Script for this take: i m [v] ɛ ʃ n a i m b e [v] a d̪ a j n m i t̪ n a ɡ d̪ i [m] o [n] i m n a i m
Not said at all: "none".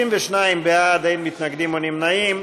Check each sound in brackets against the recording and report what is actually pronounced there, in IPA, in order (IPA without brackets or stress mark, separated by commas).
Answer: v, none, m, n